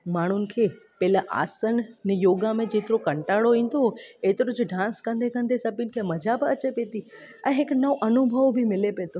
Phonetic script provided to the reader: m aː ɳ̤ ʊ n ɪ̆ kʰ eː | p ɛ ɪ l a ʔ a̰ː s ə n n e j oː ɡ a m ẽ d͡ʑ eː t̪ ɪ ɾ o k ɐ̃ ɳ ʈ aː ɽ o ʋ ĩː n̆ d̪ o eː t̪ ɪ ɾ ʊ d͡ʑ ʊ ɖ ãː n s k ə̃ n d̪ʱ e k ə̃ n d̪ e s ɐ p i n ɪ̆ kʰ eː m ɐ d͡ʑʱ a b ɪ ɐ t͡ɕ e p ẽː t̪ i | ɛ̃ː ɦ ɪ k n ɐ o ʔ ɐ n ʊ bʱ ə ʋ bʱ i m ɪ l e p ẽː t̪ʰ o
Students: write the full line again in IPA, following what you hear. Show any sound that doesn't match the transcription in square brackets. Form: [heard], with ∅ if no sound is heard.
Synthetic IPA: m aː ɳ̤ ʊ n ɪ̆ kʰ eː | p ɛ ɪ l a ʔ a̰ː s ə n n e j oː ɡ a m ẽ d͡ʑ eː t̪ ɪ ɾ o k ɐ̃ ɳ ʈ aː ɽ o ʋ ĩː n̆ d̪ o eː t̪ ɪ ɾ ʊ d͡ʑ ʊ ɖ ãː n s k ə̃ n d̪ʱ e k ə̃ n d̪ e s ɐ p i n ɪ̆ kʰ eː m ɐ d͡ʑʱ a b ɪ ɐ t͡ɕ e p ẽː t̪ i | ɛ̃ː ɦ ɪ k n ɐ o ʔ ɐ n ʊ bʱ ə ʋ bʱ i m ɪ l e p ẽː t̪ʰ o